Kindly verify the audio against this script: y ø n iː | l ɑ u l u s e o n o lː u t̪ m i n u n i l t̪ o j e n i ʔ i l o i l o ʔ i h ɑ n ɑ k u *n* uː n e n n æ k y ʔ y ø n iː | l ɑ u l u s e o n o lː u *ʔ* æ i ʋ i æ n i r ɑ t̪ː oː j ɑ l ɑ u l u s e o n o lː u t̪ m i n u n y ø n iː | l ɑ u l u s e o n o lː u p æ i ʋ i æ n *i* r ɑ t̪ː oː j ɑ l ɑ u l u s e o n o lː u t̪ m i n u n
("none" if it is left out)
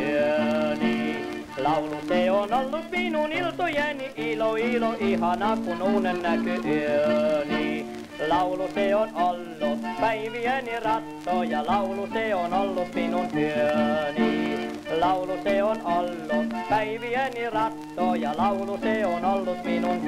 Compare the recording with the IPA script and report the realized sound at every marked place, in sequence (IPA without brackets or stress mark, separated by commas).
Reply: n, p, i